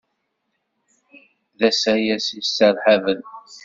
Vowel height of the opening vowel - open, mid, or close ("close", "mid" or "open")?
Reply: open